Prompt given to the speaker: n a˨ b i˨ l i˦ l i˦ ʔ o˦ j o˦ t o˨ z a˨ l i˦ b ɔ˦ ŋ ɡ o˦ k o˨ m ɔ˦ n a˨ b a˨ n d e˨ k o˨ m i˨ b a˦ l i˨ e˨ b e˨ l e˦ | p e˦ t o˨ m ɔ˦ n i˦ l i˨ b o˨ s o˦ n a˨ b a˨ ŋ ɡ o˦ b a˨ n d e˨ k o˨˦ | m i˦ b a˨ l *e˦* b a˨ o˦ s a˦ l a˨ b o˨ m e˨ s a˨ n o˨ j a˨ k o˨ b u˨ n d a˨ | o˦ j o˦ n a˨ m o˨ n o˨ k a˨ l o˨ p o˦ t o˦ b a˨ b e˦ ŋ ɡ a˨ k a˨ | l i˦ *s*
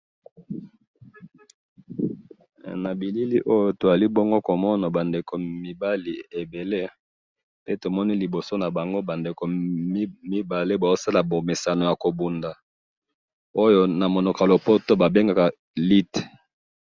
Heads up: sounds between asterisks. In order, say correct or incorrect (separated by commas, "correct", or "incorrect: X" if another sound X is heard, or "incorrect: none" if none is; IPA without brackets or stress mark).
correct, incorrect: t